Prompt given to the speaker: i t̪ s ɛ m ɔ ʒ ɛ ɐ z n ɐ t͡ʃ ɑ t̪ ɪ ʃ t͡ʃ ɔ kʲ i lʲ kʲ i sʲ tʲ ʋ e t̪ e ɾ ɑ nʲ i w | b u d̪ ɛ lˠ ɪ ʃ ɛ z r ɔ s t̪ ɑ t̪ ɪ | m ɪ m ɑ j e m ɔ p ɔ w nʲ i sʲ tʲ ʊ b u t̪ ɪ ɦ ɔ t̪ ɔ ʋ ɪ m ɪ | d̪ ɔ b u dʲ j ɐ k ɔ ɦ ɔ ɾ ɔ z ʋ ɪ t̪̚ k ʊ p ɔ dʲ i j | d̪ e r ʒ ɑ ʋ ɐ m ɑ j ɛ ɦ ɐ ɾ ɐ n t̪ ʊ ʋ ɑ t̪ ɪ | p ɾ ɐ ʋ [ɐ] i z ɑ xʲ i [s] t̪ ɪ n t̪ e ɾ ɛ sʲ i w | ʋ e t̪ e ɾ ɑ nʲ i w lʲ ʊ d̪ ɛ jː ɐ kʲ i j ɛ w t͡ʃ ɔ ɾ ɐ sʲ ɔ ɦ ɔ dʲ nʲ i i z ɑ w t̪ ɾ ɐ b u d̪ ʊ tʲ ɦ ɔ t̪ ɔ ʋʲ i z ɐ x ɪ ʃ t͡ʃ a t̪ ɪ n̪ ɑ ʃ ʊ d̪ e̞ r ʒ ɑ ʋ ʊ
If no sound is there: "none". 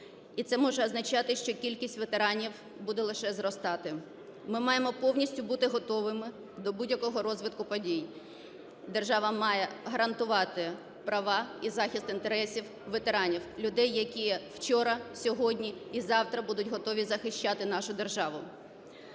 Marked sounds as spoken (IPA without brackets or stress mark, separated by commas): ɑ, s